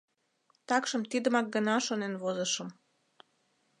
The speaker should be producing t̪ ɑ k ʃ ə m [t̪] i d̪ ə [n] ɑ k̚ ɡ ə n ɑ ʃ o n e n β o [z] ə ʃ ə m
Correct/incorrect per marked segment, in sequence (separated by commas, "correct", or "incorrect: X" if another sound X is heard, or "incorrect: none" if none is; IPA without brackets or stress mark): correct, incorrect: m, correct